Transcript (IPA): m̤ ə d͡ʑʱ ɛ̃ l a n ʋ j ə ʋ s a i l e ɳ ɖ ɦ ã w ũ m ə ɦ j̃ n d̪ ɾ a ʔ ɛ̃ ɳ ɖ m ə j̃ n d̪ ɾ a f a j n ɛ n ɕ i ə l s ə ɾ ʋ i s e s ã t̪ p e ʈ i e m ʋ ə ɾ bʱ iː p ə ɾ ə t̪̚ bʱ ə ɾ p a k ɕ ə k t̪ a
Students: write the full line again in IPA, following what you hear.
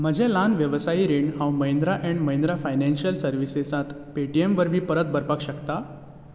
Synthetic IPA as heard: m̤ ə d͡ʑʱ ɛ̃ l a n ʋ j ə ʋ s a i ɾ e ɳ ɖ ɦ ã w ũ m ə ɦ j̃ n d̪ ɾ a ʔ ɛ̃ ɳ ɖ m ə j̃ n d̪ ɾ a f a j n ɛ n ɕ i ə l s ə ɾ ʋ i s e s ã t̪ p e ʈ i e m ʋ ə ɾ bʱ iː p ə ɾ ə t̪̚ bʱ ə ɾ p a k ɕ ə k t̪ a